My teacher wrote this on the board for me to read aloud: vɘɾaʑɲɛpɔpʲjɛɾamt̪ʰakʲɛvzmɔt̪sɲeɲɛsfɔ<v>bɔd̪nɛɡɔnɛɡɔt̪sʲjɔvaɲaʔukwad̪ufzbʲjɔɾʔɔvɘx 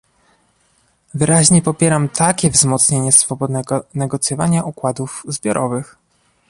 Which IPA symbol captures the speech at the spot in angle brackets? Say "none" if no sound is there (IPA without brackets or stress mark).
none